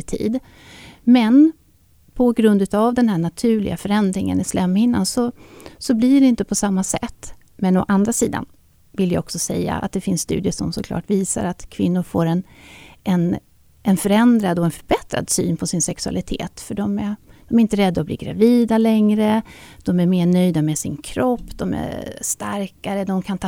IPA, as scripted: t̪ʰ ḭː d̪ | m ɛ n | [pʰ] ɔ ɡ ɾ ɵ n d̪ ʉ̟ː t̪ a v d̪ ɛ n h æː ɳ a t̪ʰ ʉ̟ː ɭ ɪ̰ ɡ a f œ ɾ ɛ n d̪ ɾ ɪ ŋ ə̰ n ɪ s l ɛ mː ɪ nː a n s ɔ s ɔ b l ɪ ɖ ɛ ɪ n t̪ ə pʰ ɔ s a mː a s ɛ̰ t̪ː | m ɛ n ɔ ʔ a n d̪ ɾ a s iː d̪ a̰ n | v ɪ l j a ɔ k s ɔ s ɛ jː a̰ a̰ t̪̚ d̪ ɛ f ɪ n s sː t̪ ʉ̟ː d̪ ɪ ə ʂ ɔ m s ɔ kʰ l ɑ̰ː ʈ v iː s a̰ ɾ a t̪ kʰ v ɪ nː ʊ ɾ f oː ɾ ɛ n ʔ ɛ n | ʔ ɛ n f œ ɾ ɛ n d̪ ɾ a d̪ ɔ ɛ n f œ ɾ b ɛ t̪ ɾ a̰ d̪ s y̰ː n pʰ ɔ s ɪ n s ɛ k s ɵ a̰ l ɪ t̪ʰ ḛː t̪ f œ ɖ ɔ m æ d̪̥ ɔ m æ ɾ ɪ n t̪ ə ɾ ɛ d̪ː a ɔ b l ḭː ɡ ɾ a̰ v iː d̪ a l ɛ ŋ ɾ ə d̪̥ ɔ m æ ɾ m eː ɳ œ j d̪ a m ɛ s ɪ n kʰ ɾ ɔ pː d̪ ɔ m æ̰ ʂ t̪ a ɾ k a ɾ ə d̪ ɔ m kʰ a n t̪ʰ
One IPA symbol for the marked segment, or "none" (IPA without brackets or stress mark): pʰ